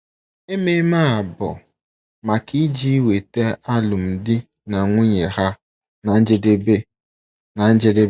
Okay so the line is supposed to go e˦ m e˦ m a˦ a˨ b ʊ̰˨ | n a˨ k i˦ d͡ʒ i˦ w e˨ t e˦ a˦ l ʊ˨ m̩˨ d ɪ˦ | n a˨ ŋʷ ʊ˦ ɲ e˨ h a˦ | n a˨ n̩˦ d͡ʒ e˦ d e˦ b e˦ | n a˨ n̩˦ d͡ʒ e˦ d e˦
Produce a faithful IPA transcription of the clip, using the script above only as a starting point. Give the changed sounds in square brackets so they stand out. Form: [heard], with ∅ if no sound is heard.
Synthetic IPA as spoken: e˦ m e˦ m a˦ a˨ b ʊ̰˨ | [m] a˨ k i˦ d͡ʒ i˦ w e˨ t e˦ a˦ l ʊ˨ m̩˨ d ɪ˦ | n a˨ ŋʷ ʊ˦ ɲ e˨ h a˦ | n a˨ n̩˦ d͡ʒ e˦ d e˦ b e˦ | n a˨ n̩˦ d͡ʒ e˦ d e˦